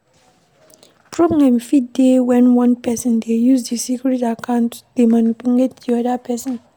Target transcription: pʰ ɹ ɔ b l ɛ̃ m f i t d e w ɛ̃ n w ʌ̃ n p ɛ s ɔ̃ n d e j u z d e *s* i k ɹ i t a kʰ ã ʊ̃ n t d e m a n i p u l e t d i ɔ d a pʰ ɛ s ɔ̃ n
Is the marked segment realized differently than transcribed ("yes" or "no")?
no